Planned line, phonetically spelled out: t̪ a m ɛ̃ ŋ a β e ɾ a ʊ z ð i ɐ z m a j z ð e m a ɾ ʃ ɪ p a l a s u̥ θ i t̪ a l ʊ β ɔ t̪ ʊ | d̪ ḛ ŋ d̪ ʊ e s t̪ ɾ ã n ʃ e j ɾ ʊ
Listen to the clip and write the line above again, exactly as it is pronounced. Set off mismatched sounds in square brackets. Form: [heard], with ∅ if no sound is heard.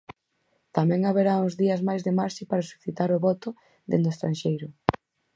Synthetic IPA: t̪ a m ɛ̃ ŋ a β e ɾ a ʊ z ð i ɐ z m a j z ð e m a ɾ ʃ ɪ p a [ɾ] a s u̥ θ i t̪ a [ɾ] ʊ β ɔ t̪ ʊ | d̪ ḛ [n] d̪ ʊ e s t̪ ɾ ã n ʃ e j ɾ ʊ